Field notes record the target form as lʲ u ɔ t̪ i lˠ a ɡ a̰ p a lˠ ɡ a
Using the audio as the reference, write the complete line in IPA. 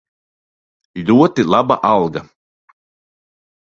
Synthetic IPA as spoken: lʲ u ɔ t̪ i lˠ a b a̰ ʔ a lˠ ɡ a